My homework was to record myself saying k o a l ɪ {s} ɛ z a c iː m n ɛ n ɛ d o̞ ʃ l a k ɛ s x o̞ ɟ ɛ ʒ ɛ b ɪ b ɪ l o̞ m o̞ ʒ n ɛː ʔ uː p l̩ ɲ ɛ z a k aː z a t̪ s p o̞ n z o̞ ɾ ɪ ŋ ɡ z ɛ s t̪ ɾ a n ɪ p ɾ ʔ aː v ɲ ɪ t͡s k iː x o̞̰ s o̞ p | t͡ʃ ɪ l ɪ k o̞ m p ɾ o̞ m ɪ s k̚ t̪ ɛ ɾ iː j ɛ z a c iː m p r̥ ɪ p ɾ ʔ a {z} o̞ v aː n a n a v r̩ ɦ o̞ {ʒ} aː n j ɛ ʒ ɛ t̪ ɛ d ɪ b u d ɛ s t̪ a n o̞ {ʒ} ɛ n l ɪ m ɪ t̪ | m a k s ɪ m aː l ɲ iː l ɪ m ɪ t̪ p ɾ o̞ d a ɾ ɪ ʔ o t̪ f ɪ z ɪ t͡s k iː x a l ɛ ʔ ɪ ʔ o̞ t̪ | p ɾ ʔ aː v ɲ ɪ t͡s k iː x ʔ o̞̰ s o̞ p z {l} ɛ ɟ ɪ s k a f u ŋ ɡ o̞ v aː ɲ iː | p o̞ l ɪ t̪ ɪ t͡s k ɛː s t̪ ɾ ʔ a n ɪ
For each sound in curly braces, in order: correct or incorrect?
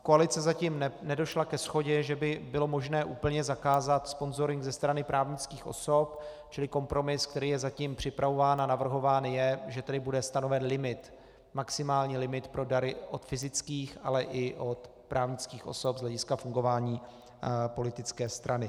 incorrect: t͡s, incorrect: v, incorrect: v, incorrect: v, correct

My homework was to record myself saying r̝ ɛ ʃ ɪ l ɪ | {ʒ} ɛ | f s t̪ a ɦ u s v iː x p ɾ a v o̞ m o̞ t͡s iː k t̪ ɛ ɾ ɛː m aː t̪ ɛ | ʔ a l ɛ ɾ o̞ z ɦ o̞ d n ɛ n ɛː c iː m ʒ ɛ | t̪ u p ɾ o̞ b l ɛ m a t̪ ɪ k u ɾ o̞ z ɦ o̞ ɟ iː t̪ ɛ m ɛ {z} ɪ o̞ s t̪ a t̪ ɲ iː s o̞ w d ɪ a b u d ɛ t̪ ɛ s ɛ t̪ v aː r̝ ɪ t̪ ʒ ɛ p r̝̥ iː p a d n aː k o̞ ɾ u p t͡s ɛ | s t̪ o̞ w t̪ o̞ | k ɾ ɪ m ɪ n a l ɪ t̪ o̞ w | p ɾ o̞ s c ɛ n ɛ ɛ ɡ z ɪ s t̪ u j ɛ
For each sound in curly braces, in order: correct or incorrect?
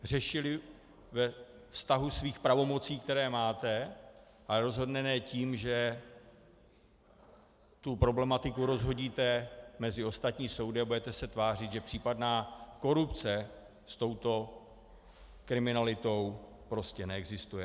incorrect: v, correct

